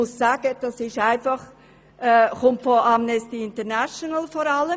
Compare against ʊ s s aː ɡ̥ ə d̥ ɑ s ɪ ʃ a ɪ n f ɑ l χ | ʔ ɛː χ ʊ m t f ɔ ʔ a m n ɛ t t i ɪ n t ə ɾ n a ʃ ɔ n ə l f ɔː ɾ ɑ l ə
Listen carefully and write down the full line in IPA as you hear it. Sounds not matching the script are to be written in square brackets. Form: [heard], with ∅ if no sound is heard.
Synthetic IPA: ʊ s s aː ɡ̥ ə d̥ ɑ s ɪ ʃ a ɪ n f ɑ [∅] χ | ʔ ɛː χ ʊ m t f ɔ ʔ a m n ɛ [s] t i ɪ n t ə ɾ n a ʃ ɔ n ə l f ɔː ɾ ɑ l ə